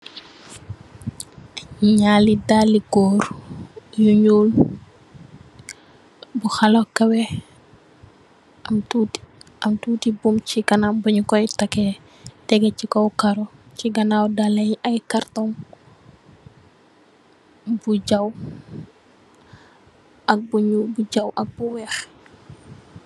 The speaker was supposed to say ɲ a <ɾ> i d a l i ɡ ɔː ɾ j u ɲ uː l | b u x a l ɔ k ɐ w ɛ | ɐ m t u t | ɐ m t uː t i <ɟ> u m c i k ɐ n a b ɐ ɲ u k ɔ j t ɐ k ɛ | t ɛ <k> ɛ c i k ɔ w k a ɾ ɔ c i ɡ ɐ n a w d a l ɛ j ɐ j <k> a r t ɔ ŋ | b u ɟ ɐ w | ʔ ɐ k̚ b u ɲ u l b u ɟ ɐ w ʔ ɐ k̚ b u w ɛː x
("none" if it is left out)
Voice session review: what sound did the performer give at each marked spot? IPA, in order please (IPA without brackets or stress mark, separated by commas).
l, b, ɡ, k